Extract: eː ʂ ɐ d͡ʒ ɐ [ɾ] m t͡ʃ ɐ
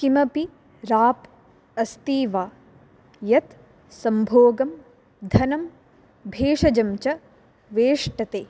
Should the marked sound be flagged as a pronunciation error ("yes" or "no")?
yes